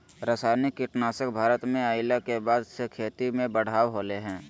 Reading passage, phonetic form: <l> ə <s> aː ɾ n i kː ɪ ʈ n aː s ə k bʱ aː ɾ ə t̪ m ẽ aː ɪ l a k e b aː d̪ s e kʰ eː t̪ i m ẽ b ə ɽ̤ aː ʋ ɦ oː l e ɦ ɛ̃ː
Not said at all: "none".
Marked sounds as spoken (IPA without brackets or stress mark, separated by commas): ɾ, s